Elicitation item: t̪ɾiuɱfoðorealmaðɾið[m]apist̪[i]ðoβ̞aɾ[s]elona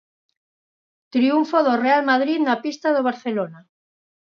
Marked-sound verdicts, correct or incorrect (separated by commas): incorrect, incorrect, incorrect